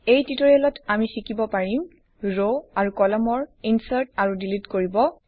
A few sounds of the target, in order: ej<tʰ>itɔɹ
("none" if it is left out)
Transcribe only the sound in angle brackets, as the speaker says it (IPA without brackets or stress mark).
t